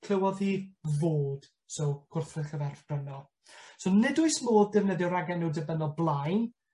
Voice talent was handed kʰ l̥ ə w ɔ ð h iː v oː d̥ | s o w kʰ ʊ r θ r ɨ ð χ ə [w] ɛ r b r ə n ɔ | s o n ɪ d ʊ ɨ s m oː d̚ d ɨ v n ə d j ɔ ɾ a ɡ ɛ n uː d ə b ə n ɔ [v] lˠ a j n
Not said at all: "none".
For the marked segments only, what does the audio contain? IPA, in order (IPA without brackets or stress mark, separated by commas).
v, b